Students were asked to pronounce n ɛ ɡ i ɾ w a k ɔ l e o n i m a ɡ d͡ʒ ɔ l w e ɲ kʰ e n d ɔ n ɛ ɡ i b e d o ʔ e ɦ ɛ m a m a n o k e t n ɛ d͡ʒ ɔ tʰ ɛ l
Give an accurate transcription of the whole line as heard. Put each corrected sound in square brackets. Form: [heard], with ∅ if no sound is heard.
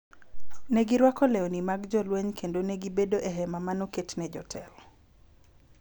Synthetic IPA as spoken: n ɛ ɡ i ɾ w a k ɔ l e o n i m a ɡ d͡ʒ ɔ l w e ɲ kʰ e n d [o] n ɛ ɡ i b e d o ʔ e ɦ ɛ m a m a n o k e t n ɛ d͡ʒ ɔ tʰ ɛ l